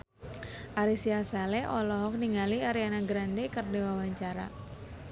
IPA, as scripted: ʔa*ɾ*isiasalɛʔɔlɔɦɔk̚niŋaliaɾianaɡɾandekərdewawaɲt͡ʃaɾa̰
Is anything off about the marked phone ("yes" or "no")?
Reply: no